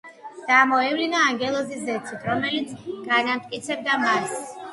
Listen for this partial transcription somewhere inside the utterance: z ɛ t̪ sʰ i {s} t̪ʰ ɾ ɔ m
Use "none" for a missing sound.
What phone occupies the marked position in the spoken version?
none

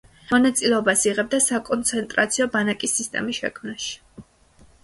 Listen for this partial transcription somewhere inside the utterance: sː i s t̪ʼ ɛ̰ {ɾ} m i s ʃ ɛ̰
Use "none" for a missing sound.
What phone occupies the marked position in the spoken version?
none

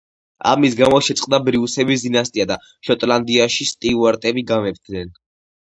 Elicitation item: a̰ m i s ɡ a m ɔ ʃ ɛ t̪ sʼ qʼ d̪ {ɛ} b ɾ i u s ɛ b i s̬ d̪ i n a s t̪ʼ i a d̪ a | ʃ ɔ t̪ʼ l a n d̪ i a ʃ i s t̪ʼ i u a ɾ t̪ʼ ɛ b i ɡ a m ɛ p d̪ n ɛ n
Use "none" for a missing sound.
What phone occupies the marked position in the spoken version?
a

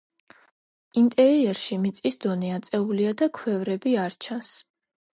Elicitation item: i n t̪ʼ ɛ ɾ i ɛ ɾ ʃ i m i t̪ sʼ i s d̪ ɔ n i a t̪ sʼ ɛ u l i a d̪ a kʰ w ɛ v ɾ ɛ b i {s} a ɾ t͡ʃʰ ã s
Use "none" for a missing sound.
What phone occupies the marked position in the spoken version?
none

